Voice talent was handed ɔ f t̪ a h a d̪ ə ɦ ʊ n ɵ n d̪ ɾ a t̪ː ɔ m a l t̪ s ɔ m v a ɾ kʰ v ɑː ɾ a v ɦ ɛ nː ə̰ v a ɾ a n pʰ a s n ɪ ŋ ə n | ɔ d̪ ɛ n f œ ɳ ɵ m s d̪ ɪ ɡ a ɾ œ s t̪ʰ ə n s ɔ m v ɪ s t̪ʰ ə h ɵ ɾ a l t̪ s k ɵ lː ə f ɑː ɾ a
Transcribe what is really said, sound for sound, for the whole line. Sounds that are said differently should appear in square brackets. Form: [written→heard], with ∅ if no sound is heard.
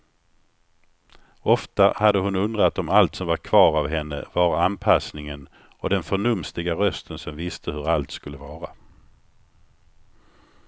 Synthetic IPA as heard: ɔ f t̪ a h a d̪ ə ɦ ʊ n ɵ n d̪ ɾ a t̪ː ɔ m a l t̪ s ɔ m v a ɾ kʰ v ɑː ɾ a v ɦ ɛ nː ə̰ v a ɾ a n pʰ a s n ɪ ŋ ə n | ɔ d̪ ɛ n f œ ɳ ɵ m s [d̪→t̪] ɪ ɡ a ɾ œ s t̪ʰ ə n s ɔ m v ɪ s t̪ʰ ə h ɵ ɾ a l t̪ s k ɵ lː ə [f→v] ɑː ɾ a